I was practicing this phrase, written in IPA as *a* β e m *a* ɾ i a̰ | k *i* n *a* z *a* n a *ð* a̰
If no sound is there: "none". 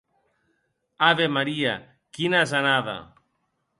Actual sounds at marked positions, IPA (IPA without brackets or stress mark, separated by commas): a, a, i, a, a, ð